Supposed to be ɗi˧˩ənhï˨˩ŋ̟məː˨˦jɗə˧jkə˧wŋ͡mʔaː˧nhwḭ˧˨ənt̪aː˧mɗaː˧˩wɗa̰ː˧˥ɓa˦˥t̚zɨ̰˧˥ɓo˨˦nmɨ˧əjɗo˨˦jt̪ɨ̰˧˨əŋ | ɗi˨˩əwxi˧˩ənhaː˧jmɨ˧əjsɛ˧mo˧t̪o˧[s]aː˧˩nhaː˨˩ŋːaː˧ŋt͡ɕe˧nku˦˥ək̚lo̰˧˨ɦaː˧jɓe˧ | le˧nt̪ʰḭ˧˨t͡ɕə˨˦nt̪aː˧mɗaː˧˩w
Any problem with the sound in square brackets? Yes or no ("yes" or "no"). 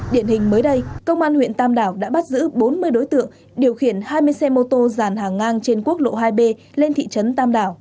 yes